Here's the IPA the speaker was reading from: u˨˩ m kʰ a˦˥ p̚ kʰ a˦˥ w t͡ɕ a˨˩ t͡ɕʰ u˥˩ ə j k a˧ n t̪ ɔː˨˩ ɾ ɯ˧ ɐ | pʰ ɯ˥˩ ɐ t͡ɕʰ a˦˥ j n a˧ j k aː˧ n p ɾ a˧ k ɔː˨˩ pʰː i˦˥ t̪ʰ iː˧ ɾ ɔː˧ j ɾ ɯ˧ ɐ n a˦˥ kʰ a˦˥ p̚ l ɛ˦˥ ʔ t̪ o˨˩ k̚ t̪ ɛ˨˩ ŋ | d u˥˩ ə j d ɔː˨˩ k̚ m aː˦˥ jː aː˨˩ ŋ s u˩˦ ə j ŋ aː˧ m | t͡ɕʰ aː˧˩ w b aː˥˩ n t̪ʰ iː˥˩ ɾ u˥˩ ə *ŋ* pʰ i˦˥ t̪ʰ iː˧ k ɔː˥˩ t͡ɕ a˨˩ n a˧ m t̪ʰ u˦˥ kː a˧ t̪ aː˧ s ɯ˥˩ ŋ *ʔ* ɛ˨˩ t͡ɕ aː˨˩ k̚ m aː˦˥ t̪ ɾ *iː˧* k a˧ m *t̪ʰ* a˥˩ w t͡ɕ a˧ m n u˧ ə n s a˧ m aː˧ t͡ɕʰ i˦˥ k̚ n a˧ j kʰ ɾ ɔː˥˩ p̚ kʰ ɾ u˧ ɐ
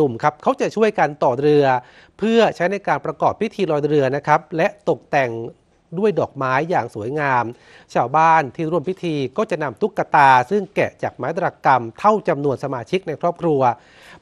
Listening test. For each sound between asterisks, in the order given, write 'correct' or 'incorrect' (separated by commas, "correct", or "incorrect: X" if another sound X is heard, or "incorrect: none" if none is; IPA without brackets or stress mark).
incorrect: m, incorrect: k, incorrect: aː˧, correct